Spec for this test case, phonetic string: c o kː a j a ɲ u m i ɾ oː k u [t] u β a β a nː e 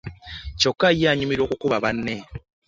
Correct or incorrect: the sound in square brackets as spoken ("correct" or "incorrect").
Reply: incorrect